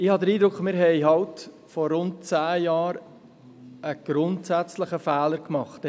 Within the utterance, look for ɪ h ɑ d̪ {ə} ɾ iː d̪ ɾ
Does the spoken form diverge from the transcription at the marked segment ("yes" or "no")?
no